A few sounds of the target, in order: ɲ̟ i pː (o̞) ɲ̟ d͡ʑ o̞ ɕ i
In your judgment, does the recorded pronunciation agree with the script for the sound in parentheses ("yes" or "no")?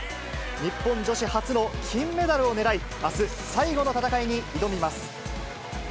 no